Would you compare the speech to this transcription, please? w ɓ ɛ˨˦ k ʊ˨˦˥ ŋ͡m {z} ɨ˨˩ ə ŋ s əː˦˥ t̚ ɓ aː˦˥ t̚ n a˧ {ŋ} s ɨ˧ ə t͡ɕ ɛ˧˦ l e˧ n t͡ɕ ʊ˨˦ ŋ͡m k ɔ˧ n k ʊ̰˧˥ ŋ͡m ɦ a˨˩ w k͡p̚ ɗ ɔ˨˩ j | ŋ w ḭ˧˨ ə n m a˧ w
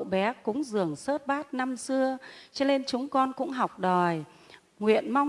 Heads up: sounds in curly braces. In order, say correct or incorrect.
correct, incorrect: m

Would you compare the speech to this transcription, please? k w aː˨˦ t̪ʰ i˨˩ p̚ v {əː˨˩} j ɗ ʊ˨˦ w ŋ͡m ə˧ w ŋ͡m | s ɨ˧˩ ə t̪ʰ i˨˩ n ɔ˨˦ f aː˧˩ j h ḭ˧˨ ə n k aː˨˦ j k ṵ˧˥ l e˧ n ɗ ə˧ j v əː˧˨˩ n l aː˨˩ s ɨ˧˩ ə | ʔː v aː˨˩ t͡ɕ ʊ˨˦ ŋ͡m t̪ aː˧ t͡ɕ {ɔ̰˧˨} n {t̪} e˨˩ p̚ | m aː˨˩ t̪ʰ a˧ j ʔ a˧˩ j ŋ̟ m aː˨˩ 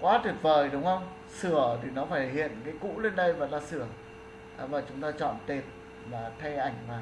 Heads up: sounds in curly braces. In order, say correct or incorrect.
correct, correct, correct

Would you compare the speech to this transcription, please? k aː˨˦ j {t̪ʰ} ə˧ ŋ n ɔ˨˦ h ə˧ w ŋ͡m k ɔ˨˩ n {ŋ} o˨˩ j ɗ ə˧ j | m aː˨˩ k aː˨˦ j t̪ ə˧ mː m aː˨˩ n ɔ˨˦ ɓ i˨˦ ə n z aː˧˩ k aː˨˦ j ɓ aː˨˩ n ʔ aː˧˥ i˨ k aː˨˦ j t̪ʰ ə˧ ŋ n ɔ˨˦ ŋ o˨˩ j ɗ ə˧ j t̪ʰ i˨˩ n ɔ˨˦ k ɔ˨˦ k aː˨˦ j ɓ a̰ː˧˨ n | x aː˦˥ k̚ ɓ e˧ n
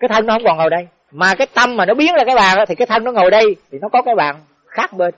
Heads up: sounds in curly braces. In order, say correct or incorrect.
correct, correct

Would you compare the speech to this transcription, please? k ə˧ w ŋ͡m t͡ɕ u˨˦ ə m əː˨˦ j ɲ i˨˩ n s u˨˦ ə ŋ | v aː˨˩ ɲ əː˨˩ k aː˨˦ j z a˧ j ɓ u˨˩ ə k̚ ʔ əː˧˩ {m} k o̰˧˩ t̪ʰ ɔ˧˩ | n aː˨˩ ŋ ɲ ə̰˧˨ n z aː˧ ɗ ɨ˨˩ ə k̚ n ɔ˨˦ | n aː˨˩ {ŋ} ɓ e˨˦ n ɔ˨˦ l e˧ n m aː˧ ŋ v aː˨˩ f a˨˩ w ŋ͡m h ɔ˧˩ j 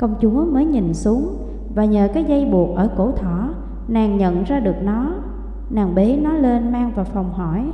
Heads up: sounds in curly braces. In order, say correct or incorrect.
incorrect: none, correct

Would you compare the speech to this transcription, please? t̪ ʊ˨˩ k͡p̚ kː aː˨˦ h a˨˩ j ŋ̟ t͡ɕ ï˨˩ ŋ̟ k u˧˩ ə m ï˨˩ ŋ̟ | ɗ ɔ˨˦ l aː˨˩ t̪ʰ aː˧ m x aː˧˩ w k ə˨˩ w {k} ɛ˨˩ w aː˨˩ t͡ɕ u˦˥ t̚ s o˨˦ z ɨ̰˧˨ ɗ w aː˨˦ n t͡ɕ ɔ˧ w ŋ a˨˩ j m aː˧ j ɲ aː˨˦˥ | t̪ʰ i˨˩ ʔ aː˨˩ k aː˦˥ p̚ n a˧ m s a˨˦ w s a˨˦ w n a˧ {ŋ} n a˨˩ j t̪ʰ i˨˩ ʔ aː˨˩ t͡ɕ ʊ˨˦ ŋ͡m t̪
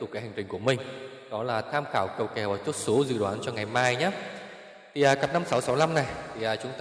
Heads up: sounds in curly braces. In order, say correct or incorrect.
correct, incorrect: m

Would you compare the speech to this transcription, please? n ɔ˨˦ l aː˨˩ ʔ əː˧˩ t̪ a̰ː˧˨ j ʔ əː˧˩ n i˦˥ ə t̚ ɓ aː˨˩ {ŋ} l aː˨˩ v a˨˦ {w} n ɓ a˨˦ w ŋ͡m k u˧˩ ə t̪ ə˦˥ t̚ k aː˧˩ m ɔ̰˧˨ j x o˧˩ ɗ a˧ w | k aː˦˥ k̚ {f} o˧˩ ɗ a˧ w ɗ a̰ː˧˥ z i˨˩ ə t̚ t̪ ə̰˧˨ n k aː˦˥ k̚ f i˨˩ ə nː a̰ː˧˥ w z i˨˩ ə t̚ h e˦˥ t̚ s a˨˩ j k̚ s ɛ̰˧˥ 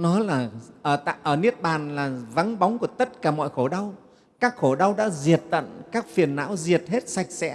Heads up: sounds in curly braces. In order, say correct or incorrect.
incorrect: n, incorrect: none, incorrect: x

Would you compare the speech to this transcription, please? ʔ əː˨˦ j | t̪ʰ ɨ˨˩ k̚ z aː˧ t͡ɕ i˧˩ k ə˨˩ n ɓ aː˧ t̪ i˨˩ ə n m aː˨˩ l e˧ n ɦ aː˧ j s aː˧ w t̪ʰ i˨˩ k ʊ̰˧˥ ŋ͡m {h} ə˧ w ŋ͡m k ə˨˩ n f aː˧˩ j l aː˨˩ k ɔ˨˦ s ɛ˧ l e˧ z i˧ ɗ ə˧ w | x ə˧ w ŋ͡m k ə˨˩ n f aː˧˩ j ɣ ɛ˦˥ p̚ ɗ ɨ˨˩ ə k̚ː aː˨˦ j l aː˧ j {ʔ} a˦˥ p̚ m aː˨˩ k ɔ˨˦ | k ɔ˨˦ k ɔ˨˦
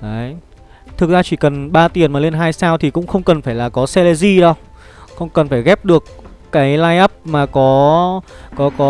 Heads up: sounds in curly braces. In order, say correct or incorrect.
incorrect: x, correct

